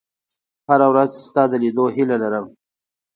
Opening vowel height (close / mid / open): open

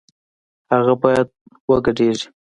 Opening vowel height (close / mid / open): open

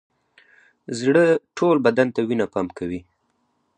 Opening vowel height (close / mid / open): mid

